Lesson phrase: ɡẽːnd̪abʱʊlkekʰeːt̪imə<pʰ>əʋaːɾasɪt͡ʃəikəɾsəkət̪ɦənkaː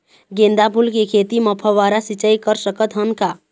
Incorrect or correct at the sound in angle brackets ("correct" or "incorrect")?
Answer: correct